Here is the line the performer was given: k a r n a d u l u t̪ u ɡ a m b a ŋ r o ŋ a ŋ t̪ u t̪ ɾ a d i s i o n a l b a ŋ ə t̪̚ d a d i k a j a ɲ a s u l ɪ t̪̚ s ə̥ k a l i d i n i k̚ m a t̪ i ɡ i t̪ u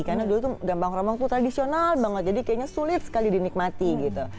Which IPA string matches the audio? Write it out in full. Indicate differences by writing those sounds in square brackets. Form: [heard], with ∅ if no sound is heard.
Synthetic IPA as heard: k a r n a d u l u t̪ u ɡ a m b a ŋ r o [m] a ŋ t̪ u t̪ ɾ a d i s i o n a l b a ŋ ə t̪̚ [d͡ʒ] a d i k a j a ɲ a s u l ɪ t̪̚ s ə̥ k a l i d i n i k̚ m a t̪ i ɡ i t̪ u